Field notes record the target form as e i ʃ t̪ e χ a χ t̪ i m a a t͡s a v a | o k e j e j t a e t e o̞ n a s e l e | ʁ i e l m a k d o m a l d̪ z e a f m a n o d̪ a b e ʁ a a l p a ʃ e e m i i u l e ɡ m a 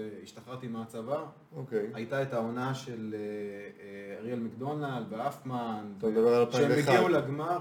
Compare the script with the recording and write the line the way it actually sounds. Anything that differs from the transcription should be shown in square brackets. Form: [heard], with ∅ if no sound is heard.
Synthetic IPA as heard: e i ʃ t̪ [a] χ a [ʁ] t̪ i m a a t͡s a v a | o k e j [a] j t a e t [a] o̞ n a [ʃ] e l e | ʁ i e l m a k d o [n] a l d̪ [v] e a f m a n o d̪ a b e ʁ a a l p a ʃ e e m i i u l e ɡ m a